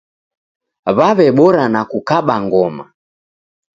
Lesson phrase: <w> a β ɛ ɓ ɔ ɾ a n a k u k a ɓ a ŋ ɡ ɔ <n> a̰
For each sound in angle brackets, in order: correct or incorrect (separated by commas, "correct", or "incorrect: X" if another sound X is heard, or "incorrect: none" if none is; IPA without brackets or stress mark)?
incorrect: β, incorrect: m